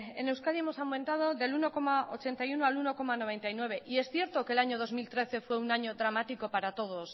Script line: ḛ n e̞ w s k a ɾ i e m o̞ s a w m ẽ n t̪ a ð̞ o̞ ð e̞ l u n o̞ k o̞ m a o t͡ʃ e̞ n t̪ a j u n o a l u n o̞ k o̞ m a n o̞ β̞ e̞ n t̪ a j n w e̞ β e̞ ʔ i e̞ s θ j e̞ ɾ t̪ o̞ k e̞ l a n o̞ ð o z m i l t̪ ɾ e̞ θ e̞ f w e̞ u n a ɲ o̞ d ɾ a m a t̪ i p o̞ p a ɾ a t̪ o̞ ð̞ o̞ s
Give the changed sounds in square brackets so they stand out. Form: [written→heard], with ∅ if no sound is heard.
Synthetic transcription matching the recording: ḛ n e̞ w s k a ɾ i e m o̞ s a w m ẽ n t̪ a ð̞ o̞ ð e̞ l u n o̞ k o̞ m a o t͡ʃ e̞ n t̪ a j u n o a l u n o̞ k o̞ m a n o̞ β̞ e̞ n t̪ a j n w e̞ β e̞ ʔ i e̞ s θ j e̞ ɾ t̪ o̞ k e̞ l a [n→ɲ] o̞ ð o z m i l t̪ ɾ e̞ θ e̞ f w e̞ u n a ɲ o̞ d ɾ a m a t̪ i [p→k] o̞ p a ɾ a t̪ o̞ ð̞ o̞ s